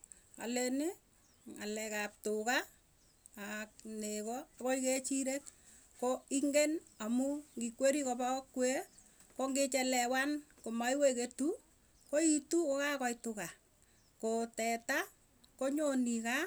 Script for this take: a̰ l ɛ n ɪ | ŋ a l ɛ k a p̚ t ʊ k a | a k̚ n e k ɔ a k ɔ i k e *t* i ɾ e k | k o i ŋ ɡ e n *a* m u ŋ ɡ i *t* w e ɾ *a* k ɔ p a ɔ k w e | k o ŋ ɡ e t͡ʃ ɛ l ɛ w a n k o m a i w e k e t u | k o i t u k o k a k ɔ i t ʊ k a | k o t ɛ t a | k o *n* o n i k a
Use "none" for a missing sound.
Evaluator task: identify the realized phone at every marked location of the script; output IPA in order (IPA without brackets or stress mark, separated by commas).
t͡ʃ, a, k, i, ɲ